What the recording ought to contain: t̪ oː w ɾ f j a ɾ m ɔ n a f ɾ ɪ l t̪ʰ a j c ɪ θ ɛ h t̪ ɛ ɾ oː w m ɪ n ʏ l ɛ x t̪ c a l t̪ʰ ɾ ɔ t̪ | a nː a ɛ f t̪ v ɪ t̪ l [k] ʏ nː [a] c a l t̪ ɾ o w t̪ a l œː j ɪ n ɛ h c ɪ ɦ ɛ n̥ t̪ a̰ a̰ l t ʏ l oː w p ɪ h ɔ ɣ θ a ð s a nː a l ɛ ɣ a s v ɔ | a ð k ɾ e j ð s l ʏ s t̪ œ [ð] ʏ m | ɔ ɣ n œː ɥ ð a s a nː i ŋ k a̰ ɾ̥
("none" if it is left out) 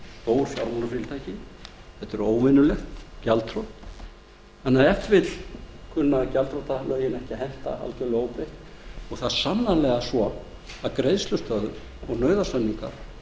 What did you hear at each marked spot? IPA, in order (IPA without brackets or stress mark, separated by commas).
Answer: kʰ, a, ð